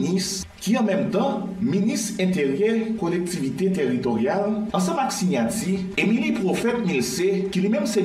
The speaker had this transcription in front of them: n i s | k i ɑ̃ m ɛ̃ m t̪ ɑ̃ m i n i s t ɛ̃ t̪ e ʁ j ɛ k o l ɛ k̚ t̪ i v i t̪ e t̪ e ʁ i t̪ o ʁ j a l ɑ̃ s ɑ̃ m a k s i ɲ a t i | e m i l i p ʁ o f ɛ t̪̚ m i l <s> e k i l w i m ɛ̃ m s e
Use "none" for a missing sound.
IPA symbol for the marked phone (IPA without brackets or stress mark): s